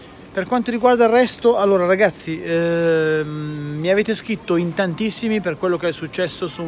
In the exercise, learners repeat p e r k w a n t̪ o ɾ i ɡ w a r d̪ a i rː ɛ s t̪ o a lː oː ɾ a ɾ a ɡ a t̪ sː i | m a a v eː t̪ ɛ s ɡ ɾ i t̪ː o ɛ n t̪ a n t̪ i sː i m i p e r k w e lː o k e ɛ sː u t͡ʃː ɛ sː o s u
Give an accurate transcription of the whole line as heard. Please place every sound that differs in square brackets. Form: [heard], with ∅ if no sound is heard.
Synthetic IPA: p e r k w a n t̪ o ɾ i ɡ w a r d̪ a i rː ɛ s t̪ o a lː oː ɾ a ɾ a ɡ a t̪ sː i | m [i] a v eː t̪ [e] s [k] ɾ i t̪ː o [i] n t̪ a n t̪ i sː i m i p e r k w e lː o k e ɛ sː u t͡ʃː ɛ sː o s u